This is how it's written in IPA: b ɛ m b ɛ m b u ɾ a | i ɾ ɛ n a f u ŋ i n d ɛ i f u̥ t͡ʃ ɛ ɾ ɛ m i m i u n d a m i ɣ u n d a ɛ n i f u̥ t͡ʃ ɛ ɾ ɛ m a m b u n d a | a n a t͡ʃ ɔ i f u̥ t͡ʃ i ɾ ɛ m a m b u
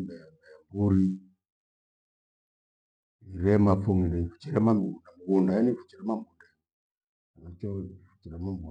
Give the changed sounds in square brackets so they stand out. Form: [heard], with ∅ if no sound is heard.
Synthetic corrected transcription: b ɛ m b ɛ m b u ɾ [i] | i ɾ ɛ [m] a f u ŋ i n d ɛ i f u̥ t͡ʃ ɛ ɾ ɛ m [a] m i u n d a m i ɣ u n d a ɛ n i f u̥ t͡ʃ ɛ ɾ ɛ m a m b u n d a | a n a t͡ʃ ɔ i f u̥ t͡ʃ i ɾ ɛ m a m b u